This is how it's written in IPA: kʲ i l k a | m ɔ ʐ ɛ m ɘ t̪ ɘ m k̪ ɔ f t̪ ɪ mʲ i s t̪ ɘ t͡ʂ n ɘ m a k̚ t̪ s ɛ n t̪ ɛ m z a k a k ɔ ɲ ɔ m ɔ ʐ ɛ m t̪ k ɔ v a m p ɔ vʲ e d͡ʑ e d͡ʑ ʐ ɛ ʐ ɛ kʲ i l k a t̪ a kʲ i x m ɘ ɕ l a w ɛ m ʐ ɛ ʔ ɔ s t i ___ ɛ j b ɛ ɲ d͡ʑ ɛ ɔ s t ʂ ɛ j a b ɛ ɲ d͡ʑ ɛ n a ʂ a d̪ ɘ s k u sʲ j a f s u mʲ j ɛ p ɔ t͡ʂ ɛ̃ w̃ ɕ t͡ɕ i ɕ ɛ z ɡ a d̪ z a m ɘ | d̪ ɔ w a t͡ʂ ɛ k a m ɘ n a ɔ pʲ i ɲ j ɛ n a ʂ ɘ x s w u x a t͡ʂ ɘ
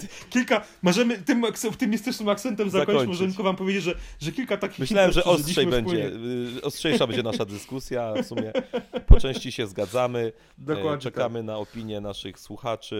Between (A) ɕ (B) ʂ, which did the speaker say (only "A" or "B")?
B